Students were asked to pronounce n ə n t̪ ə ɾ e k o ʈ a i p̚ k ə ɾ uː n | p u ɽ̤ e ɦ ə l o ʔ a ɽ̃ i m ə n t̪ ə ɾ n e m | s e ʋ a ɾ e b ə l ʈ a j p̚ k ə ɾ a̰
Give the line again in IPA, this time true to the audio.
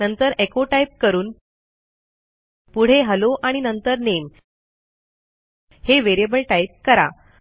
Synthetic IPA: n ə n t̪ ə ɾ e k o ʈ a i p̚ k ə ɾ uː n | p u ɽ̤ e ɦ ə l o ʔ a ɽ̃ i n ə n t̪ ə ɾ n e m | h e ʋ e ɾ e b ə l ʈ a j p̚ k ə ɾ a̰